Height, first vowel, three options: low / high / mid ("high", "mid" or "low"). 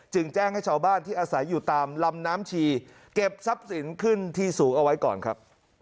high